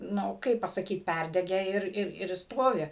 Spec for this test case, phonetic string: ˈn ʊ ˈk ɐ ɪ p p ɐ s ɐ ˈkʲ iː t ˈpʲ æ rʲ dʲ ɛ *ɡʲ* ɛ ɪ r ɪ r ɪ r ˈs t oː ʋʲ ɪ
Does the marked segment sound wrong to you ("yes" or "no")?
no